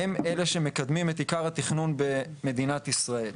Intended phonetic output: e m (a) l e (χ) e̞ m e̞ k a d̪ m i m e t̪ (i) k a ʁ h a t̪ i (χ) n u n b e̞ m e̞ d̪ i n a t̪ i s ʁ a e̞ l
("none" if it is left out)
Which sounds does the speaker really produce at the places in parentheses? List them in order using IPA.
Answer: e, ʃ, i, χ

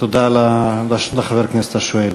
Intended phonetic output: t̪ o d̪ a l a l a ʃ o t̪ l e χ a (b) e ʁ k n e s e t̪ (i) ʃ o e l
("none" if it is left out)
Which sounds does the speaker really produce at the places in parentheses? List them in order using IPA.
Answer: v, a

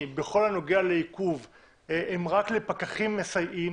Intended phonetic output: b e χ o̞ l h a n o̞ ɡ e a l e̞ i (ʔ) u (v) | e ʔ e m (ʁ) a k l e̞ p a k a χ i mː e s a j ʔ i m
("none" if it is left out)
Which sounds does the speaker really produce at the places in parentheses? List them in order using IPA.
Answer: k, v, ʁ

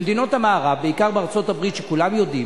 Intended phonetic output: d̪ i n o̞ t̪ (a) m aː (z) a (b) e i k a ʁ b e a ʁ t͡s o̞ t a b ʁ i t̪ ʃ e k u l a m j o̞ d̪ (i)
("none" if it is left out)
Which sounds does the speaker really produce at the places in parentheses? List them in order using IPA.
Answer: a, ʁ, b, i

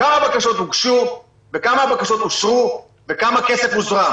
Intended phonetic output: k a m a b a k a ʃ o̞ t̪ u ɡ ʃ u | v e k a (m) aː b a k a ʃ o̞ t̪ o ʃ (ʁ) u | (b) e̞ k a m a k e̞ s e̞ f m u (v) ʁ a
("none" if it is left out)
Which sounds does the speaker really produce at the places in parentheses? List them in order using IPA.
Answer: m, ʁ, v, z

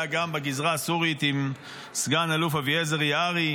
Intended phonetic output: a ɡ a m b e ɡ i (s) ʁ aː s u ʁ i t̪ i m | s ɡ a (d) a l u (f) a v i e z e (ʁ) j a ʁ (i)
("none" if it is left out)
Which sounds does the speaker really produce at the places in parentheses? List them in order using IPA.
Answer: z, n, f, ʁ, i

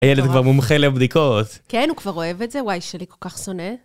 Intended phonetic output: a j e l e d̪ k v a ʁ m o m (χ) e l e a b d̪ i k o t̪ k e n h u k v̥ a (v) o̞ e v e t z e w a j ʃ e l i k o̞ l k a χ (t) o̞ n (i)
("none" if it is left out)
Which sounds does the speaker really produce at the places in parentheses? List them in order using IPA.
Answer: χ, ʁ, s, e

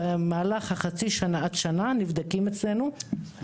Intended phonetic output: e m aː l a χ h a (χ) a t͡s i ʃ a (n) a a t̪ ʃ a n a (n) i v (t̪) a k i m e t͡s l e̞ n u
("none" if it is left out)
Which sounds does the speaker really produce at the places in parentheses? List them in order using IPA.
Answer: χ, n, n, d̪

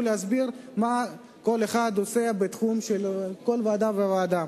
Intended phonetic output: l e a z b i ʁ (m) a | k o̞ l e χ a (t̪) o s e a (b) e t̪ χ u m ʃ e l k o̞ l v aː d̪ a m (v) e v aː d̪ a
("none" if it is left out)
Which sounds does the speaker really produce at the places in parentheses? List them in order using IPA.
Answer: m, d̪, b, v

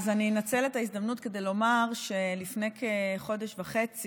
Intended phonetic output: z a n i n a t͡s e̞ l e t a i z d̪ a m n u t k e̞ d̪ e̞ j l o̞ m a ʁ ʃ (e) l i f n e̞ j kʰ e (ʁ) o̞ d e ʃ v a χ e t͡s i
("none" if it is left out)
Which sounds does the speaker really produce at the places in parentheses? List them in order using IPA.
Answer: e, χ

